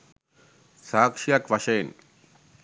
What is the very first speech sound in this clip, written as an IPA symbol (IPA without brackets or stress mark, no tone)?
s